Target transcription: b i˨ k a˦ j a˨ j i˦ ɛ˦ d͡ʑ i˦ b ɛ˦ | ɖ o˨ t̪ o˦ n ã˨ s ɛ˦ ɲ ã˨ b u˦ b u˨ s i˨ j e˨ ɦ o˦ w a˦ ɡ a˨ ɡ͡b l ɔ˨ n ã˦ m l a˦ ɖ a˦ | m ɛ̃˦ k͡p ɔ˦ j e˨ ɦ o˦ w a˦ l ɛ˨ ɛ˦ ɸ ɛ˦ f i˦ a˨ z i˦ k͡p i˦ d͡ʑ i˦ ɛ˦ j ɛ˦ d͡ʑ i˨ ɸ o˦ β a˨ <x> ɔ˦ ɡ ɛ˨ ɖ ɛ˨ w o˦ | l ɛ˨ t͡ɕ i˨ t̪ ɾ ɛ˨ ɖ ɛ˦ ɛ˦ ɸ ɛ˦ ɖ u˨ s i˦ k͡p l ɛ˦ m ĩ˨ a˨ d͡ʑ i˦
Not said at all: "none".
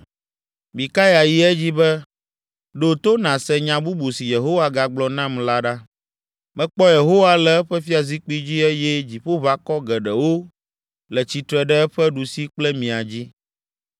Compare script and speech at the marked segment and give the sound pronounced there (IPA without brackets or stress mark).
k